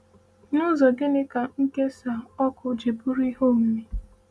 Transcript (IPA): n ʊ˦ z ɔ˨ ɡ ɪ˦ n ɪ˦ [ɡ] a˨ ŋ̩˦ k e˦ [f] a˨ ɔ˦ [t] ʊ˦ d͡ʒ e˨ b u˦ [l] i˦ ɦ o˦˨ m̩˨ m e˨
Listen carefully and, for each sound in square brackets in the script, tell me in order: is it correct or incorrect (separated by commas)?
incorrect, incorrect, incorrect, incorrect